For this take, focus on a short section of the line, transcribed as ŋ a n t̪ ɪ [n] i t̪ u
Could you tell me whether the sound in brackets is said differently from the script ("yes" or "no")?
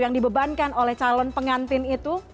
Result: no